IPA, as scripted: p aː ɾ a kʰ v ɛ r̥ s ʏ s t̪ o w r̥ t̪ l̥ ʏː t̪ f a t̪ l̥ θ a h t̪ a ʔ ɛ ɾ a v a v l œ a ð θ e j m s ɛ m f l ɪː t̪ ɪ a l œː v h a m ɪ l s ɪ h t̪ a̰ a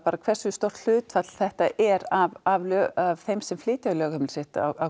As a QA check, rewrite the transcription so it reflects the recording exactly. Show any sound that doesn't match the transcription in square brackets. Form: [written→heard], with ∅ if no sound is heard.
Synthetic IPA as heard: p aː ɾ a kʰ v ɛ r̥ s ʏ s t̪ o w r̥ t̪ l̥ ʏː t̪ f a t̪ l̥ θ [a→ɛ] h t̪ a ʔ ɛ ɾ a v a v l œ a [ð→v] θ e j m s ɛ m f l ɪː t̪ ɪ a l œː [v→ɣ] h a m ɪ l s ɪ h t̪ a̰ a